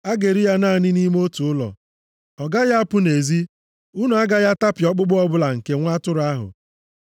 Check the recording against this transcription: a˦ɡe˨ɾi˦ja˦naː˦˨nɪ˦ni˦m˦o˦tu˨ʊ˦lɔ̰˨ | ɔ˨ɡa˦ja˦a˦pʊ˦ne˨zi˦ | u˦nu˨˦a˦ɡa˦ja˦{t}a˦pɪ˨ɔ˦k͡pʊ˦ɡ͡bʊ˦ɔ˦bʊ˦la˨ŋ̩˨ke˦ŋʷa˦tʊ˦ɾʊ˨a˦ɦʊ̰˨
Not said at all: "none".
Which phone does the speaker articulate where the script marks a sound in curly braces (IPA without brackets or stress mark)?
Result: t